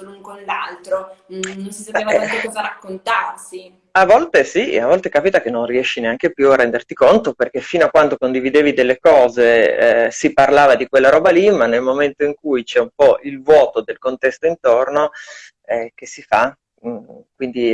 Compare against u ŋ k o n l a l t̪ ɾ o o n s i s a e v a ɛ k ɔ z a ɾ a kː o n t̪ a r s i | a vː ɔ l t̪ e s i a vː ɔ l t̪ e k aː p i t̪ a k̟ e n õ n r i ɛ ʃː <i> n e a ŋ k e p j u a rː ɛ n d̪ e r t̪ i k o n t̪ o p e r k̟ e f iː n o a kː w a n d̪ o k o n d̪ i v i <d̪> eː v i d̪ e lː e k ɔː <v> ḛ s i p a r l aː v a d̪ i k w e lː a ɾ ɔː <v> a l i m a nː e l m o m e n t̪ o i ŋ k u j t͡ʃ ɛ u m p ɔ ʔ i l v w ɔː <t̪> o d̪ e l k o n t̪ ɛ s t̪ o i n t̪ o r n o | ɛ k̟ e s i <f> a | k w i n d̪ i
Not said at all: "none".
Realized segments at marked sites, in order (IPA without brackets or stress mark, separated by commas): i, d̪, z, b, t̪, f